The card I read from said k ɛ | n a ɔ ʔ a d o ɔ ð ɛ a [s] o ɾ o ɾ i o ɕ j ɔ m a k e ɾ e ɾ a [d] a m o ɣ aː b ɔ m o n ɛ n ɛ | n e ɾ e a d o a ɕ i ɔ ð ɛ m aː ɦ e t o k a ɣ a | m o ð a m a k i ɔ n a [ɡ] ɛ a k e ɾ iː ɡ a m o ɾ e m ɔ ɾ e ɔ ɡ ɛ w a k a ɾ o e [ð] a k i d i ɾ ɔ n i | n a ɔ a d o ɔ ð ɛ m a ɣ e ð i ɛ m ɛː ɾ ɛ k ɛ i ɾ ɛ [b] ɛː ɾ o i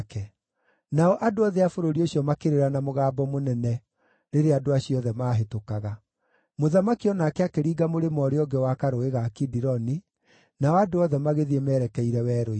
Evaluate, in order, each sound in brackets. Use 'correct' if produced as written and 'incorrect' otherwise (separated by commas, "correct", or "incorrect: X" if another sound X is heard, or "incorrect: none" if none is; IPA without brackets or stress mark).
incorrect: f, incorrect: n, incorrect: k, incorrect: ɣ, incorrect: w